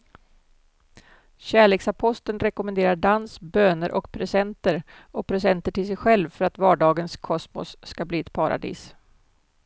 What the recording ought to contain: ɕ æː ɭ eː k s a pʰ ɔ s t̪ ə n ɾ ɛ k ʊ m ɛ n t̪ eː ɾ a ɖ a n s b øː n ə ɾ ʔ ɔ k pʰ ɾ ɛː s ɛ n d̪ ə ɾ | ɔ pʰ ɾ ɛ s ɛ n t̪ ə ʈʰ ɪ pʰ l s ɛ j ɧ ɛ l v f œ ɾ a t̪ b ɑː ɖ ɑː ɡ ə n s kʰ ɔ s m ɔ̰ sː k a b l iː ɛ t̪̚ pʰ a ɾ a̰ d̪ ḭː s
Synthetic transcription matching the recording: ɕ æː ɭ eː k s a pʰ ɔ s t̪ ə n ɾ ɛ k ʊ m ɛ n d̪ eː ɾ a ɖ a n s b øː n ə ɾ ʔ ɔ k pʰ ɾ ɛ s ɛ n t̪ ə ɾ | ɔ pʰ ɾ ɛ s ɛ n t̪ ə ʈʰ ɪ l s ɛ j ɧ ɛ l v f œ ɾ a t̪ v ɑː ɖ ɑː ɡ ə n s kʰ ɔ s m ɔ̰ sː k a b l iː ɛ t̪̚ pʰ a ɾ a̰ d̪ ḭː s